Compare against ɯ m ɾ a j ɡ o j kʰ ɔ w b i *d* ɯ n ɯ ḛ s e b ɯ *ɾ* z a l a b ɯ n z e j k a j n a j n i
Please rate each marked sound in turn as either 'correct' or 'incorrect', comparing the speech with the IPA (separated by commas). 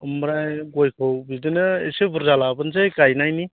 correct, correct